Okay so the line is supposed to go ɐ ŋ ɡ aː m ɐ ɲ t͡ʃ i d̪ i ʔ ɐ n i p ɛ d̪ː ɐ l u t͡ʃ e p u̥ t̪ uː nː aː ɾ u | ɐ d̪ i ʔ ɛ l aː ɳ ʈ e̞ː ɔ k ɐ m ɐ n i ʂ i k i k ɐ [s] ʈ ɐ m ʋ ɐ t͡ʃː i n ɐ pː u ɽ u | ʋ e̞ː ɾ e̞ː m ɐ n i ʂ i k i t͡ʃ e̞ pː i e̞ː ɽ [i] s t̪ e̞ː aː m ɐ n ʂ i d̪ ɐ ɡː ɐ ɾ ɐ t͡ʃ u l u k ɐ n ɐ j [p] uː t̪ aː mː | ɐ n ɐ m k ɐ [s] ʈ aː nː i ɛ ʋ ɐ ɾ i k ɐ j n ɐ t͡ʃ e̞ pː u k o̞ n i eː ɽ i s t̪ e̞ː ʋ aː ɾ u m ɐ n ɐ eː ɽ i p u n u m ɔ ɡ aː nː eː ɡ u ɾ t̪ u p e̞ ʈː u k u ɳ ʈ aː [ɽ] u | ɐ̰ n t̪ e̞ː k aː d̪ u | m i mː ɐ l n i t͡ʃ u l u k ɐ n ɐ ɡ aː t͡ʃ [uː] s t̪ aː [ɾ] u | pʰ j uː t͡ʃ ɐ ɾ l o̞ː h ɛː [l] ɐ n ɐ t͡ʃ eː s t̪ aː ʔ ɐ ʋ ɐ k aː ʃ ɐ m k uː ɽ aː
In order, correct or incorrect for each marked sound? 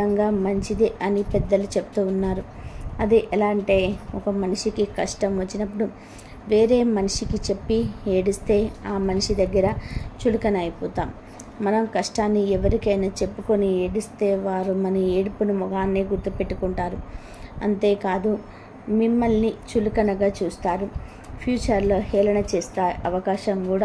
incorrect: ʂ, correct, correct, incorrect: ʂ, incorrect: ɾ, correct, correct, correct

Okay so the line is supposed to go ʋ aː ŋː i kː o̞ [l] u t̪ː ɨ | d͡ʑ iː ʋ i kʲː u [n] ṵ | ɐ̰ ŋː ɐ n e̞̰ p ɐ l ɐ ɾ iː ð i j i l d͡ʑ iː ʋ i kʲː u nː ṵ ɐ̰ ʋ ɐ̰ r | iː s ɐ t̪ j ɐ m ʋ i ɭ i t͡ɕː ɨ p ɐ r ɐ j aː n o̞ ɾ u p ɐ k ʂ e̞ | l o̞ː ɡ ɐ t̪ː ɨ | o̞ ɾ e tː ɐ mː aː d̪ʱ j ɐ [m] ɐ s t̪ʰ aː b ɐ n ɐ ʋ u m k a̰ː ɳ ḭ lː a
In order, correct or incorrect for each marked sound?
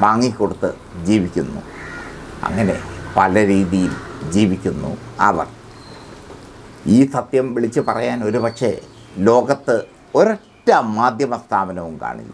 incorrect: ɽ, incorrect: nː, correct

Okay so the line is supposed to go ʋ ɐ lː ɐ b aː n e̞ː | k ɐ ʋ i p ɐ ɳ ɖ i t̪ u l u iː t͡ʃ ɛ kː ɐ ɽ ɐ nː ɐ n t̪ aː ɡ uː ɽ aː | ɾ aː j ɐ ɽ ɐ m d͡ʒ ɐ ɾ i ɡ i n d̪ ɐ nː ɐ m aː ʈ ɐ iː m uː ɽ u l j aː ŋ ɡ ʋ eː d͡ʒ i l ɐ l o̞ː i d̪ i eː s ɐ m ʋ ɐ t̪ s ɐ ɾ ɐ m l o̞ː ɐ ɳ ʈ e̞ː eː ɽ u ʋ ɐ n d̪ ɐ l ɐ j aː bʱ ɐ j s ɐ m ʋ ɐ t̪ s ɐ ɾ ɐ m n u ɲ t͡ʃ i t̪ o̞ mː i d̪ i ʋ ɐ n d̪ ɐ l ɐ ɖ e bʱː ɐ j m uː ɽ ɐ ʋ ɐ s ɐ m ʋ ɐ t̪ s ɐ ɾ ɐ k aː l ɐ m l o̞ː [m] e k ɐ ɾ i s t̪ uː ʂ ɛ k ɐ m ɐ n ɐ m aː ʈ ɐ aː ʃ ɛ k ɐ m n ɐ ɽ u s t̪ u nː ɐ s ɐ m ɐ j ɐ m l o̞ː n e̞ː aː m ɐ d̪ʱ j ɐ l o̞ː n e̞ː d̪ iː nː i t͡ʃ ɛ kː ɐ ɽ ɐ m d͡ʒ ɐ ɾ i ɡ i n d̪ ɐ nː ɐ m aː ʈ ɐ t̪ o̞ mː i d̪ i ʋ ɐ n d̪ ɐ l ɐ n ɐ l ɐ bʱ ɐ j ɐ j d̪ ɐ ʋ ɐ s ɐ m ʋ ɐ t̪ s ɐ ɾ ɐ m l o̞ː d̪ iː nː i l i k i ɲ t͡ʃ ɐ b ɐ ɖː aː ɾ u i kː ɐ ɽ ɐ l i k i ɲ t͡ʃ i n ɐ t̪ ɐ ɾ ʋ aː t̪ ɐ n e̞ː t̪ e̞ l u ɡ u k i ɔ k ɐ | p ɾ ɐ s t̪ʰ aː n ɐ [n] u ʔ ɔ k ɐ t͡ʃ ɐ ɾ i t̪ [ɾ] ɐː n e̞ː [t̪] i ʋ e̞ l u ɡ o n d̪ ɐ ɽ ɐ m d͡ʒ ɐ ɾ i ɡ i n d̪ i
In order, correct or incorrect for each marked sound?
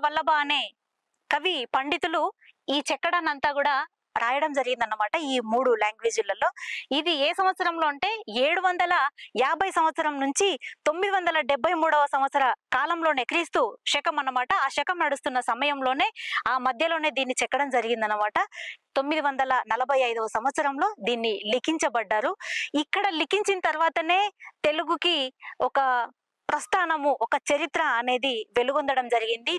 incorrect: n, incorrect: m, correct, incorrect: d̪

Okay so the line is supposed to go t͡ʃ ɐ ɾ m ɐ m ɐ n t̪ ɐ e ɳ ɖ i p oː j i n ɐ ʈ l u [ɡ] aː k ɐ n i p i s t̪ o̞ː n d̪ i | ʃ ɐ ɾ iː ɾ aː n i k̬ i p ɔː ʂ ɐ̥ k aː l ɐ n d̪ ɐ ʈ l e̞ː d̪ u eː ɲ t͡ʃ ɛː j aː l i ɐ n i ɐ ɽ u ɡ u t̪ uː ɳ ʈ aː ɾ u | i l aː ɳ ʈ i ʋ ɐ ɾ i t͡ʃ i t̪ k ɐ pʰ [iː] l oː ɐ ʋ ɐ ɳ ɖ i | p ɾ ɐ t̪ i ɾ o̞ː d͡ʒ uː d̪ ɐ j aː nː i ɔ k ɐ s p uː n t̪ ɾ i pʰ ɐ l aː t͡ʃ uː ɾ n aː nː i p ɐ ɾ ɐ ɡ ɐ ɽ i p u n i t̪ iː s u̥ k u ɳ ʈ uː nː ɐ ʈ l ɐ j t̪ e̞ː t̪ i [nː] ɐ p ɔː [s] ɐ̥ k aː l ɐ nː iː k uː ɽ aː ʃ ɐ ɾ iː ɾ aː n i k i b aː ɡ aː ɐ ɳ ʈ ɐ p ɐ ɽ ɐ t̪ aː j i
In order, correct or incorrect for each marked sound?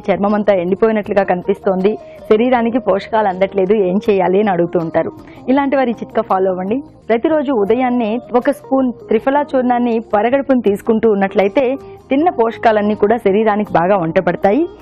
correct, incorrect: aː, correct, incorrect: ʂ

